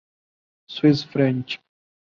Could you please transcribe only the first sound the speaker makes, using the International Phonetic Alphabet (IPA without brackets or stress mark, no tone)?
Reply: s